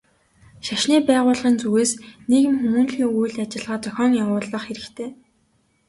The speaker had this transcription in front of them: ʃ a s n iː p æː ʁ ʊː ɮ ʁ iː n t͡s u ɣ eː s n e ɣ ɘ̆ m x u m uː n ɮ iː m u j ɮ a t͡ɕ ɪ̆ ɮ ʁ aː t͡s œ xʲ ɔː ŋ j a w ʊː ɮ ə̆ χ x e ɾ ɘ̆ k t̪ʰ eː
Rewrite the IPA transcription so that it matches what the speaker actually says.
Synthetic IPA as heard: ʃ a ʃ n iː p æː ʁ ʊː ɮ ʁ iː n t͡s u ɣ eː s n e ɣ ɘ̆ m x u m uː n ɮ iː ŋ u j ɮ a t͡ɕ ɪ̆ ɮ ʁ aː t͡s œ xʲ ɔː ŋ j a w ʊː ɮ ə̆ χ x e ɾ ɘ̆ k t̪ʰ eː